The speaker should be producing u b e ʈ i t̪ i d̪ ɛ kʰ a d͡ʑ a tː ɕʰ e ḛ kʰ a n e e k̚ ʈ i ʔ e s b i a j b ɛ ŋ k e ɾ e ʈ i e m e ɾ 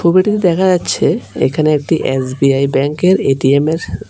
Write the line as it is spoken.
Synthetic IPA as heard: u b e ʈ i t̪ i d̪ ɛ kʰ a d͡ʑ a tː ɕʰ e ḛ kʰ a n e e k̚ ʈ i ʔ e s b i a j b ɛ ŋ k e ɾ e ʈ i e m e ɾ